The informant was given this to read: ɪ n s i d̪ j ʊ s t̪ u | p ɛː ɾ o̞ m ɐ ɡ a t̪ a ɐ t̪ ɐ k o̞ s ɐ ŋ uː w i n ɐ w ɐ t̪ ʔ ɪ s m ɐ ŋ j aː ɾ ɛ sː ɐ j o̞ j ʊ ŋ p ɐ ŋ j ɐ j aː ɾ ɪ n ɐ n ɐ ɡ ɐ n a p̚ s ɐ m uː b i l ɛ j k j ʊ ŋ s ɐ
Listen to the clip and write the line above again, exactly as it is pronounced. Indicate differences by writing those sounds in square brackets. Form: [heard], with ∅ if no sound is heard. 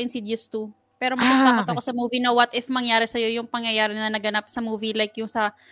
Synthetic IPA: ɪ n s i d̪ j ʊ s t̪ u | p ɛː ɾ o̞ m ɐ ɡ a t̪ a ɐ t̪ ɐ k o̞ s ɐ [m] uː [v] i n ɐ w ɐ t̪ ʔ ɪ [f] m ɐ ŋ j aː ɾ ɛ [s] ɐ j o̞ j ʊ ŋ p ɐ ŋ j ɐ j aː ɾ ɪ n ɐ n ɐ ɡ ɐ n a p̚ s ɐ m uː [v] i l [a] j k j ʊ ŋ s ɐ